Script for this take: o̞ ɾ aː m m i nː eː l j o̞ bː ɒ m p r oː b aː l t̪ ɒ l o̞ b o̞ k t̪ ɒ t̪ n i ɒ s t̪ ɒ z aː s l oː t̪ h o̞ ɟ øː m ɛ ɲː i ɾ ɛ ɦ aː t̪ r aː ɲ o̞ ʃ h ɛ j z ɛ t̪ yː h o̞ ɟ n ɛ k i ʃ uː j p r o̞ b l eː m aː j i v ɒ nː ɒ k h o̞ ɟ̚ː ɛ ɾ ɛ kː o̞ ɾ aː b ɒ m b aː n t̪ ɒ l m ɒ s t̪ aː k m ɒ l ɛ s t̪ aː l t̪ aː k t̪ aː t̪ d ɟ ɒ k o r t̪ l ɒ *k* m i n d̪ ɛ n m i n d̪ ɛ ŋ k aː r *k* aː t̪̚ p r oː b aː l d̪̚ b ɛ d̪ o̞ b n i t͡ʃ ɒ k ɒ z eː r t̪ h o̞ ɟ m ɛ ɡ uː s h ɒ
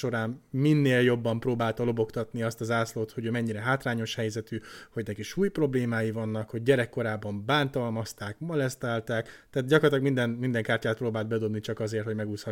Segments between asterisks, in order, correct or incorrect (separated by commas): incorrect, incorrect